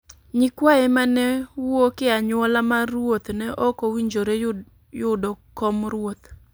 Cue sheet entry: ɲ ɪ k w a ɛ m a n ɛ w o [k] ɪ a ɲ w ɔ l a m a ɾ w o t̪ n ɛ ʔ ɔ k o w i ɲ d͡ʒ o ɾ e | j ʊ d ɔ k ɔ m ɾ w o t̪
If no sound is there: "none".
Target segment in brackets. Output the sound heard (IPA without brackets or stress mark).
k